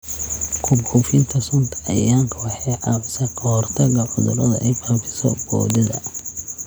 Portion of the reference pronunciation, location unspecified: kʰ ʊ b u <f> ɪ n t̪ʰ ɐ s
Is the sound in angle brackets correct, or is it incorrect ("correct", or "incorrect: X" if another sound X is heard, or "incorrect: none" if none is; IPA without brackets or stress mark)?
correct